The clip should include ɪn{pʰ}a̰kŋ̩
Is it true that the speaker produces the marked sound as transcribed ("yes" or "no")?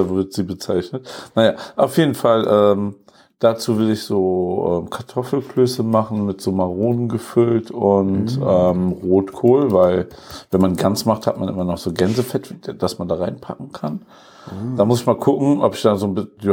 yes